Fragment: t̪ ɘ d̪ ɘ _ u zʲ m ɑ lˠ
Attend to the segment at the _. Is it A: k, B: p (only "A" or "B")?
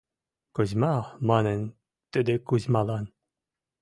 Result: A